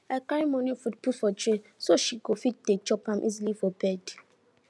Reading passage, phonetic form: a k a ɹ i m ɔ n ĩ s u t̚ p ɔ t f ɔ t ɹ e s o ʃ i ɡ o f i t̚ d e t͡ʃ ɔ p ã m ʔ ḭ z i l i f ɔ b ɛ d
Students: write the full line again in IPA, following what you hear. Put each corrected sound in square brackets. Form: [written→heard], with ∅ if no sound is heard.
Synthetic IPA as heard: a k a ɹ i m ɔ n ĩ [s→f] u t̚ p [ɔ→u] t f ɔ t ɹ e s o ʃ i ɡ o f i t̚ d e t͡ʃ ɔ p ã m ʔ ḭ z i l i f ɔ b ɛ d